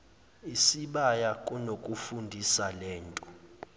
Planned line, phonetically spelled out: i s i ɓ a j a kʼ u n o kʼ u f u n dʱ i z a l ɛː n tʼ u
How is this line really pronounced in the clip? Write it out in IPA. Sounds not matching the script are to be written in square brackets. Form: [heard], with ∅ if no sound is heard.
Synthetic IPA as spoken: i s i ɓ a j a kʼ u n o kʼ u f u n dʱ i [s] a l ɛː n tʼ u